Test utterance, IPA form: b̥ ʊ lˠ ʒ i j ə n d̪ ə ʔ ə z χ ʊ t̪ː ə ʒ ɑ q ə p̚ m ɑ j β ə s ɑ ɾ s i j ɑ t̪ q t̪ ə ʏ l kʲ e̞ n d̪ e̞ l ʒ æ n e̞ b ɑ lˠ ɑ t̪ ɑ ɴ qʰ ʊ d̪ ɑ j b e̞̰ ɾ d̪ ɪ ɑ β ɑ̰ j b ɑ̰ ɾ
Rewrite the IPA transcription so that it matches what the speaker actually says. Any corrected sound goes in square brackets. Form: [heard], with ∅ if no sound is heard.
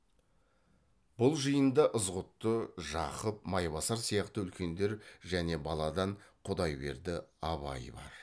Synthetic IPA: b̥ ʊ lˠ ʒ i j ə n d̪ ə ʔ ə z [ʁ] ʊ t̪ː ə ʒ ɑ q ə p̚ m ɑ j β [ɑ] s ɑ ɾ s i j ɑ [∅] q t̪ ə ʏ l kʲ e̞ n d̪ e̞ [ɾ] ʒ æ n e̞ b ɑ lˠ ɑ [d̪] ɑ ɴ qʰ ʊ d̪ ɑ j b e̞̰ ɾ d̪ ɪ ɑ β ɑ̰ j b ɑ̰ ɾ